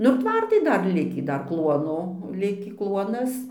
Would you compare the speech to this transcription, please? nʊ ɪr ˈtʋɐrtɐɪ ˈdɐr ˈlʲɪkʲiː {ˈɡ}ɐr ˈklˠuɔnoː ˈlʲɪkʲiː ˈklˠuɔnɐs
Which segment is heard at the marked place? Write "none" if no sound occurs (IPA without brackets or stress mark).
d